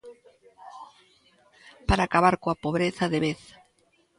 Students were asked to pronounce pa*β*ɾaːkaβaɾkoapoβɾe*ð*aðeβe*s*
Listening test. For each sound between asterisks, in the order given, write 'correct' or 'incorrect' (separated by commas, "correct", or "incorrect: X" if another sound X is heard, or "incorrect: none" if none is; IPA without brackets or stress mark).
incorrect: none, incorrect: θ, incorrect: θ